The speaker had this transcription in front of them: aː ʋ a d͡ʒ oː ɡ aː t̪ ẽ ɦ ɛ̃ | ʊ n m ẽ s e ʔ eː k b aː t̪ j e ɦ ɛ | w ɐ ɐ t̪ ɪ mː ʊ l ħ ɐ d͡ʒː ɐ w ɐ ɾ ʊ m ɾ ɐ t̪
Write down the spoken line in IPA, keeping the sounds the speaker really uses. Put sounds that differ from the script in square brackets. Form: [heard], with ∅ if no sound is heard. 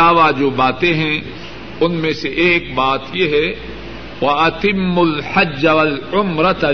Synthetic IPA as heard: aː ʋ a d͡ʒ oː [b] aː t̪ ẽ ɦ ɛ̃ | ʊ n m ẽ s e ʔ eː k b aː t̪ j e ɦ ɛ | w ɐ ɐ t̪ ɪ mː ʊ l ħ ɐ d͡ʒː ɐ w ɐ [l] ʊ m ɾ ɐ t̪